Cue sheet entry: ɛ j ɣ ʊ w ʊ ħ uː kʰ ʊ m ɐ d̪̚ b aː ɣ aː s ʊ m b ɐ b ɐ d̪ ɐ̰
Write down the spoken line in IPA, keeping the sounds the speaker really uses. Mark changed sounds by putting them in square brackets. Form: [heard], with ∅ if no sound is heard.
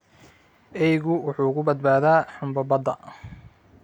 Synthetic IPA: ɛ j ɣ ʊ w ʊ ħ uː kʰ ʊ [b] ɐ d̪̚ b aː [ð] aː [ħ] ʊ m b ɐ b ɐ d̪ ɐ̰